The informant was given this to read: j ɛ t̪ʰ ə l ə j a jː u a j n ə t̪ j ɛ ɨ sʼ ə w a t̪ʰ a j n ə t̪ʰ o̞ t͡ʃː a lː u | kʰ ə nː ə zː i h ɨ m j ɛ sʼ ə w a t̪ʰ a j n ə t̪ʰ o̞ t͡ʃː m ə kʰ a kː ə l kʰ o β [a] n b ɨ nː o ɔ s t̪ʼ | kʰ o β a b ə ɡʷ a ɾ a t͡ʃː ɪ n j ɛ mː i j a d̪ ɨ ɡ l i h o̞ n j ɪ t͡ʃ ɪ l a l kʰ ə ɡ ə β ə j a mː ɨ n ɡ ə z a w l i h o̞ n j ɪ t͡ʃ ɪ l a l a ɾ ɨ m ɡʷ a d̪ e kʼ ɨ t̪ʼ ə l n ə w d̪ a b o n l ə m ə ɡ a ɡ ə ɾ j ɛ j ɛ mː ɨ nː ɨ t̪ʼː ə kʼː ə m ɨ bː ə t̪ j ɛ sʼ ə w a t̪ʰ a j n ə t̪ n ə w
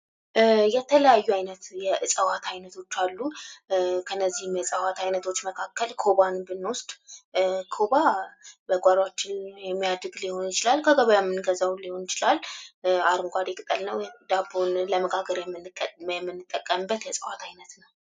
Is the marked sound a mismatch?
no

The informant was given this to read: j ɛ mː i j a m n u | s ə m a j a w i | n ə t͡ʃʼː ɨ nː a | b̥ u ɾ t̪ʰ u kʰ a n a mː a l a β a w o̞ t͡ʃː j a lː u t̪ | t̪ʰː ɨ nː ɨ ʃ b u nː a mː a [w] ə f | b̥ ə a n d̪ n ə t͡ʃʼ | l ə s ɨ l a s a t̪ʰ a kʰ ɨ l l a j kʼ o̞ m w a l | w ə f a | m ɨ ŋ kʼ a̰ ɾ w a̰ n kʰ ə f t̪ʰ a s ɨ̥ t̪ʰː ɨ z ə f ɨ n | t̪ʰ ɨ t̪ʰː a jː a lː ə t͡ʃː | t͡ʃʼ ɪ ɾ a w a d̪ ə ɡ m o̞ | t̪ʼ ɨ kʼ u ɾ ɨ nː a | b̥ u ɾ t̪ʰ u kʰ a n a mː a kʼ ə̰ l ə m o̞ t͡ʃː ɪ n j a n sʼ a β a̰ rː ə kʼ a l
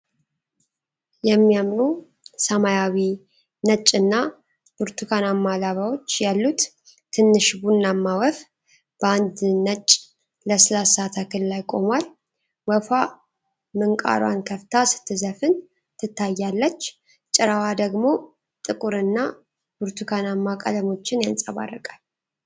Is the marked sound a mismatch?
no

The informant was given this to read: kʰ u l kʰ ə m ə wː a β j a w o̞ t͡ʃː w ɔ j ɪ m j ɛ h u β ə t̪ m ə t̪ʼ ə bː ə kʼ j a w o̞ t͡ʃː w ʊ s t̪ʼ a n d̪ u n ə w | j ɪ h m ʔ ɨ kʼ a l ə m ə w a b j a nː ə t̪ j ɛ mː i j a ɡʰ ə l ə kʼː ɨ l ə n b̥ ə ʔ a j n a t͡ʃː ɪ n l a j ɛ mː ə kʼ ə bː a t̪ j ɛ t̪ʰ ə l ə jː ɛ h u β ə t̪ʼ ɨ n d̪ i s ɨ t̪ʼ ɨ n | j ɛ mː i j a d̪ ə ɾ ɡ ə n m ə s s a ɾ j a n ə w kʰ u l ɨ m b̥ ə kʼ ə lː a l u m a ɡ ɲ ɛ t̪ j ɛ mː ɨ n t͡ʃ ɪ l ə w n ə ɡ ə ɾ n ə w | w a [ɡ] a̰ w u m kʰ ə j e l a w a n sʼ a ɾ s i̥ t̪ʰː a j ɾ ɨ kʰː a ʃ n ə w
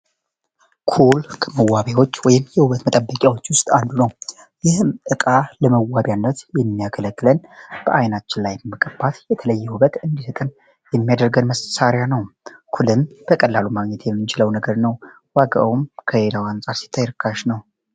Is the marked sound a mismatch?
no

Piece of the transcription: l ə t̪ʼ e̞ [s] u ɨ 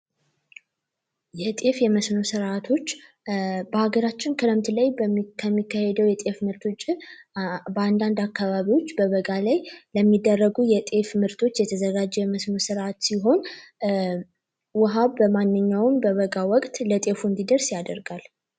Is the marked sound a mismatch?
yes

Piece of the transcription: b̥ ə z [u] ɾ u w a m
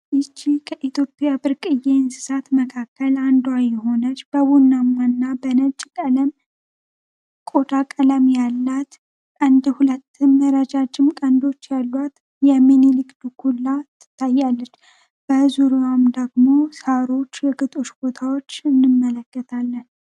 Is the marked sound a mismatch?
no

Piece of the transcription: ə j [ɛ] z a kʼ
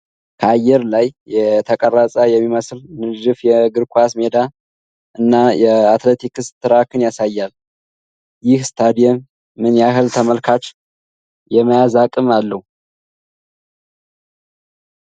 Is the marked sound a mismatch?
yes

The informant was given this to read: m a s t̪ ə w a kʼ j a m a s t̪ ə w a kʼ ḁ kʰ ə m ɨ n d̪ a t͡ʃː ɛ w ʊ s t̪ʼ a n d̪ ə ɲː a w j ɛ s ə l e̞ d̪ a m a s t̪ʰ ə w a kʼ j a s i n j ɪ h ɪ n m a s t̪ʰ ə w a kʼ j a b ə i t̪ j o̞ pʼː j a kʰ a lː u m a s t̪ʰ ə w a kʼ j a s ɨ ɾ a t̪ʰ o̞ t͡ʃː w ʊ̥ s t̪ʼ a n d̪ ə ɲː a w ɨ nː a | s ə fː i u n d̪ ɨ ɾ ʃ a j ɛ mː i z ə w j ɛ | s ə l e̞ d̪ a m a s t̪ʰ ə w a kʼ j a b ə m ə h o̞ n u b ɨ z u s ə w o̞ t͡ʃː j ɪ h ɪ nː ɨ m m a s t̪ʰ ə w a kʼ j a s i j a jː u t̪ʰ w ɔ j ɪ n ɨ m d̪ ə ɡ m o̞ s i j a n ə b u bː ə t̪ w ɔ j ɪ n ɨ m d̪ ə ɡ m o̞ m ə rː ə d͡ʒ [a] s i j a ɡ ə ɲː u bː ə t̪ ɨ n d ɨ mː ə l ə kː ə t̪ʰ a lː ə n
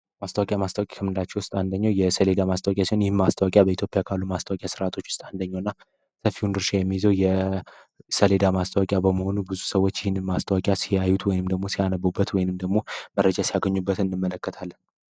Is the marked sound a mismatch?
no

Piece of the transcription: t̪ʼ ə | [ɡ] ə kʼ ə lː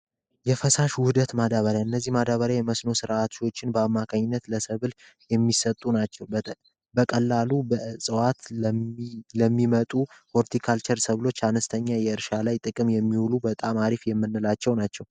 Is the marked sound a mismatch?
yes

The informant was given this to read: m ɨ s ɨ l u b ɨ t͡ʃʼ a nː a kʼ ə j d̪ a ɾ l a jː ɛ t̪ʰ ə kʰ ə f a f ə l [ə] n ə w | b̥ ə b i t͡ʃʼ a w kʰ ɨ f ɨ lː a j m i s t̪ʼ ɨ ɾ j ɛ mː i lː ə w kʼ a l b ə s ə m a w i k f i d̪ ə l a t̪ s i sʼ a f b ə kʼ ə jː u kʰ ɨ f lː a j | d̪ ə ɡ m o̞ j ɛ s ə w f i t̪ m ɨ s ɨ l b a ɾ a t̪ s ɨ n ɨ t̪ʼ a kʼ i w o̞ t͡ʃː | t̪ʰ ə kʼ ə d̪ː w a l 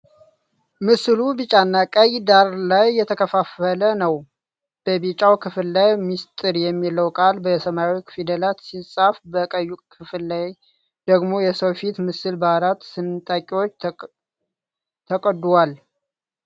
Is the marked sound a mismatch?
no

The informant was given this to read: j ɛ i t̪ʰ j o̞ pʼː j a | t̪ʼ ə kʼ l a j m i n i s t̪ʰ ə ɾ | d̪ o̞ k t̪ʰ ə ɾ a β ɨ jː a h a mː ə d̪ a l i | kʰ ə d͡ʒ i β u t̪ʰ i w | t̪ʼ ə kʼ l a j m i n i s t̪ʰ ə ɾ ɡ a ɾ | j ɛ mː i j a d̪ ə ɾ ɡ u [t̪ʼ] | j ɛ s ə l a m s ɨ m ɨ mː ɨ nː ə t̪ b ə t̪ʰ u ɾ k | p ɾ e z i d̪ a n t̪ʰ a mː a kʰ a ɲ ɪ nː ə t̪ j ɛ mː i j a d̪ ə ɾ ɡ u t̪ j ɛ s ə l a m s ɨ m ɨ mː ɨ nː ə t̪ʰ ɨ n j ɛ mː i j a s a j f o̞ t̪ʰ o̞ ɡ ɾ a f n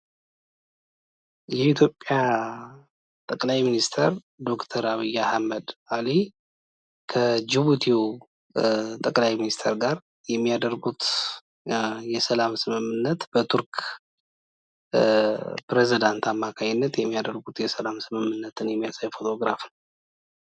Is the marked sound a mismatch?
yes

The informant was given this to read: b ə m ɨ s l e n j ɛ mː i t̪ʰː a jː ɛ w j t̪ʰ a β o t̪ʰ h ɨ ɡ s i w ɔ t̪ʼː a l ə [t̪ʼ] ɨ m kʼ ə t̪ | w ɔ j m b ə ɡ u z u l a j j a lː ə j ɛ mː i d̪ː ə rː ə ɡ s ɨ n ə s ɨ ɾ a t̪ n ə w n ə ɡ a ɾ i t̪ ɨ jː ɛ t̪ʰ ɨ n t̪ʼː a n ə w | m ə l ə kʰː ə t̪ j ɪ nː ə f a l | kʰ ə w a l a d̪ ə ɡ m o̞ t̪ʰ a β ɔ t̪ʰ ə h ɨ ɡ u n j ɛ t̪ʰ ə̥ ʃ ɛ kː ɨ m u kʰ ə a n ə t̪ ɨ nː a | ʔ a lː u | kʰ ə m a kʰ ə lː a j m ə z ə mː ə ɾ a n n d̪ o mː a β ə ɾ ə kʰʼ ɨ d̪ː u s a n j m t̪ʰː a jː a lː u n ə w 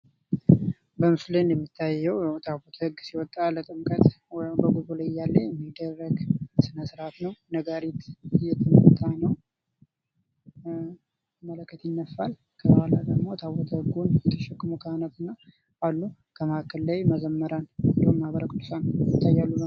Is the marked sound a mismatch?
no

